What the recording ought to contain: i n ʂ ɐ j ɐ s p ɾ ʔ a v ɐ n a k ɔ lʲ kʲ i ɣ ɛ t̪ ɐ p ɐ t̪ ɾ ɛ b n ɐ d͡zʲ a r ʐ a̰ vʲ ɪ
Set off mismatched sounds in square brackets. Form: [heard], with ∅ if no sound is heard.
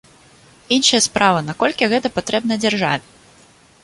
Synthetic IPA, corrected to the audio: i n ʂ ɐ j ɐ s p ɾ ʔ a v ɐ n a k ɔ lʲ kʲ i ɣ ɛ t̪ ɐ p [a] t̪ ɾ ɛ b n ɐ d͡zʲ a r ʐ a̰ vʲ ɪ